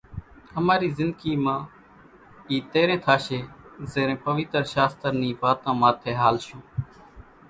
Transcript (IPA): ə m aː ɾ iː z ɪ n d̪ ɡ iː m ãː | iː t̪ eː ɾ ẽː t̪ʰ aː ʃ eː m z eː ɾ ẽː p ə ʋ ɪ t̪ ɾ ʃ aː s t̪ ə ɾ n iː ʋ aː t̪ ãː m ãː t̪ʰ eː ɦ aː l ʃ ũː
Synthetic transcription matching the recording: ə m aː ɾ iː z ɪ n d̪ ɡ iː m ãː | iː t̪ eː ɾ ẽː t̪ʰ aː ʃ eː z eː ɾ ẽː p ə ʋ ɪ t̪ ɾ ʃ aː s t̪ ə ɾ n iː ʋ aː t̪ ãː m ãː t̪ʰ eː ɦ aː l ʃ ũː